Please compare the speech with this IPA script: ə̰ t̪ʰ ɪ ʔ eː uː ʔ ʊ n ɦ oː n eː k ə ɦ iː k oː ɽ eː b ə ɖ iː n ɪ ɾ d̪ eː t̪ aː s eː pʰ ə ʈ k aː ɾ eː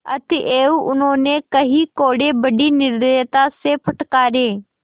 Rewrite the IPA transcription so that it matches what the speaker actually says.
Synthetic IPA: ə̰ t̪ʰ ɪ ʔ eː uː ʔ ʊ n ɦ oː n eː k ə ɦ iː k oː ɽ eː b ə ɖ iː n ɪ ɾ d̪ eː t̪ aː s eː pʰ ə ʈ k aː ɾ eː